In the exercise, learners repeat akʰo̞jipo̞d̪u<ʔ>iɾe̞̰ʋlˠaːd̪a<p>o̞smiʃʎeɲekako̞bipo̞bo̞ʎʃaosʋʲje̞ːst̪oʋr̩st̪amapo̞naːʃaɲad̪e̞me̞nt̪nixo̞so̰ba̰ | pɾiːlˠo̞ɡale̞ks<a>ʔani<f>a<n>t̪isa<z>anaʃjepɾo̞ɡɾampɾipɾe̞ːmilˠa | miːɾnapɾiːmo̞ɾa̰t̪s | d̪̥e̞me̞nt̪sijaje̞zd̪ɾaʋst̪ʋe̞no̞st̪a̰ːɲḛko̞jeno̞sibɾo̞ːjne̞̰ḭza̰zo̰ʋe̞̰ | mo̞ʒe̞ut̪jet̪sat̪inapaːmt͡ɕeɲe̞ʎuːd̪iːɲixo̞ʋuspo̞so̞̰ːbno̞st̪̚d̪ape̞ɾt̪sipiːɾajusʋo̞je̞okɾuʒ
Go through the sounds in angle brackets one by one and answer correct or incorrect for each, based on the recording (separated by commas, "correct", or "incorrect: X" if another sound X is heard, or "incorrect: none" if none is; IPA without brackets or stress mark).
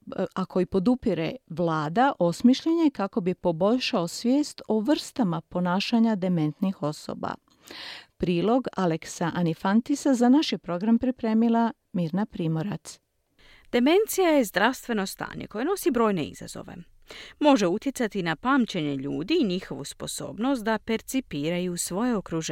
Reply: incorrect: p, incorrect: ʔ, correct, correct, correct, correct